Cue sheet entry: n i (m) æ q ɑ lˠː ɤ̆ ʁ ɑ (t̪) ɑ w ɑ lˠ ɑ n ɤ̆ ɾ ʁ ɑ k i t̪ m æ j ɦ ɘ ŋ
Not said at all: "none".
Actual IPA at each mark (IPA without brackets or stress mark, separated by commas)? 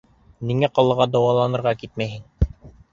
ŋ, d̪